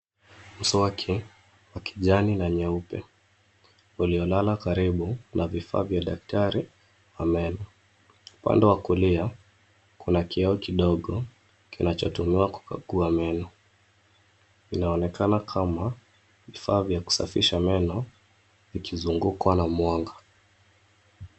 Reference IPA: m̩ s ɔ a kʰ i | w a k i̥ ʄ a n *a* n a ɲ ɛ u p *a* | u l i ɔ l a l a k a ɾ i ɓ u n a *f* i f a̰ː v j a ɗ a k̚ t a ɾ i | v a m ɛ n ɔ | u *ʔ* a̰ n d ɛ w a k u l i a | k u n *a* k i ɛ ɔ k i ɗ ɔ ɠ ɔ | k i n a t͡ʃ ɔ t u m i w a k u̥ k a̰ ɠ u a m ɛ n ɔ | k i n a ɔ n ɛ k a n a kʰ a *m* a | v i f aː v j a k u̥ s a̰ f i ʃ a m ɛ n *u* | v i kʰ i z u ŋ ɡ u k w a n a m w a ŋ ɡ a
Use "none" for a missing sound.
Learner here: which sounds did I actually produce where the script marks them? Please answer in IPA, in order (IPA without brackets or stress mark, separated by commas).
i, ɛ, v, p, a, m, ɔ